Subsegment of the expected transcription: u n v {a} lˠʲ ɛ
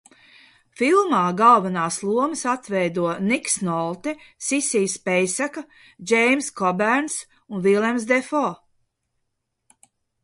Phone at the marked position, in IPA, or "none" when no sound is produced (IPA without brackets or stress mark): i